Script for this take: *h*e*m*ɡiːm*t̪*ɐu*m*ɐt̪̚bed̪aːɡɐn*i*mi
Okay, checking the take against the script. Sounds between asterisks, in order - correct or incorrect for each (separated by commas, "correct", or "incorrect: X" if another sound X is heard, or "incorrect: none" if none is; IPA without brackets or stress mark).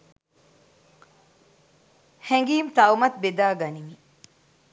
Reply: correct, incorrect: ŋ, correct, correct, correct